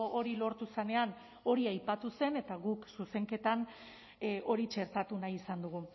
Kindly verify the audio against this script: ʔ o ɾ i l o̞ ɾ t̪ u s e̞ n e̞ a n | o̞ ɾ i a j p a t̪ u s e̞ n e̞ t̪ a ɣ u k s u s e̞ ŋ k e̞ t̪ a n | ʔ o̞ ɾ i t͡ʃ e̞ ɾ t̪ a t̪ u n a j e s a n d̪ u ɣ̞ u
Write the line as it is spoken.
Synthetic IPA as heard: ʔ o ɾ i l o̞ ɾ t̪ u s e̞ n e̞ a n | o̞ ɾ i a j p a t̪ u s e̞ n e̞ t̪ a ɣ u k s u s e̞ ŋ k e̞ t̪ a n | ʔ o̞ ɾ i t͡ʃ e̞ ɾ t̪ a t̪ u n a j i s a n d̪ u ɣ̞ u